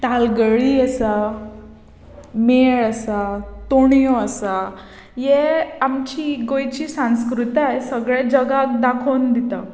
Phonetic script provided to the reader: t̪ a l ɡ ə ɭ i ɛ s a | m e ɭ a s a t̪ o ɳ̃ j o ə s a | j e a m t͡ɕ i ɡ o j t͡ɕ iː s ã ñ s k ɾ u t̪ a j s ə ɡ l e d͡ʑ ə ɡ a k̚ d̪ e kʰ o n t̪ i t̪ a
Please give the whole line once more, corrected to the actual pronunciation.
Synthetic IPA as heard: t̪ a l ɡ ə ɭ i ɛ s a | m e ɭ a s a t̪ o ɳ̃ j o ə s a | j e a m t͡ɕ i ɡ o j t͡ɕ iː s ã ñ s k ɾ u t̪ a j s ə ɡ ɭ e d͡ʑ ə ɡ a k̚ d̪ a kʰ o n d̪ i t̪ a